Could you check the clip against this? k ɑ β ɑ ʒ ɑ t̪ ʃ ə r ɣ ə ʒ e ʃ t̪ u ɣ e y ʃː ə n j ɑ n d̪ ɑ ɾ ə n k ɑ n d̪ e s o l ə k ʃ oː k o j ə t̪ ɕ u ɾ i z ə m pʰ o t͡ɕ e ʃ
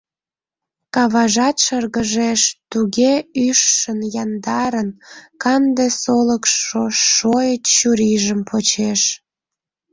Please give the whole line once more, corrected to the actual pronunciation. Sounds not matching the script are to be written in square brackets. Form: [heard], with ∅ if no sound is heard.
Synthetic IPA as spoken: k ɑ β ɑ ʒ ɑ t̪ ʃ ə r ɣ ə ʒ e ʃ t̪ u ɣ e y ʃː ə n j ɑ n d̪ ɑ ɾ ə n k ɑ n d̪ e s o l ə k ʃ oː [∅] o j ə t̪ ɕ u ɾ i [ʒ] ə m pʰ o t͡ɕ e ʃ